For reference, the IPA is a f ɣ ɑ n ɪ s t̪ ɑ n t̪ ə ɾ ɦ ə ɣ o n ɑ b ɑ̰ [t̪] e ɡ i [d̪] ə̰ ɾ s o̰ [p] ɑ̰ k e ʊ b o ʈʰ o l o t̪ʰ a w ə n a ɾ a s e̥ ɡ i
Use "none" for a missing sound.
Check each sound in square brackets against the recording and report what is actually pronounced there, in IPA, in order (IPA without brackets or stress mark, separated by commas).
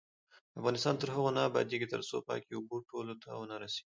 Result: d̪, t̪, p